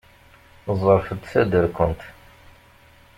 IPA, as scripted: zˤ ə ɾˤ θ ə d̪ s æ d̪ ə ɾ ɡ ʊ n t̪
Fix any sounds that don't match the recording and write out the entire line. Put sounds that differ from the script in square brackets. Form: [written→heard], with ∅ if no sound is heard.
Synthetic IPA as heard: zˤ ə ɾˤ [θ→f] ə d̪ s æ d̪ ə ɾ [ɡ→k] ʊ n t̪